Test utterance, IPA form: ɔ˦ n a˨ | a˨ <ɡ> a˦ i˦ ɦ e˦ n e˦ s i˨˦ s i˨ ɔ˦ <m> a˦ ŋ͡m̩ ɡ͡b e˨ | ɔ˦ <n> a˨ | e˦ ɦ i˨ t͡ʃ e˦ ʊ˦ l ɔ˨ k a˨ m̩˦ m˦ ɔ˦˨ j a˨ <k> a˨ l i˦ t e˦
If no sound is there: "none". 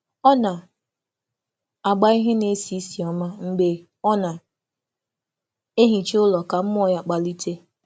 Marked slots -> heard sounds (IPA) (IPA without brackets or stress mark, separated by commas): ɡ͡b, m, n, k͡p